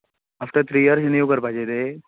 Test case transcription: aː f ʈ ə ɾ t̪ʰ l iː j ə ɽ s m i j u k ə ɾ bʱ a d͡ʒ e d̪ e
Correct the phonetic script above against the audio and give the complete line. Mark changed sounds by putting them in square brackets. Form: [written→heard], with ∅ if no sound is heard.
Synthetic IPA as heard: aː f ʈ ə ɾ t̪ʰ [l→ɾ] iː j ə [ɽ→ɾ] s [m→n] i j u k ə ɾ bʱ a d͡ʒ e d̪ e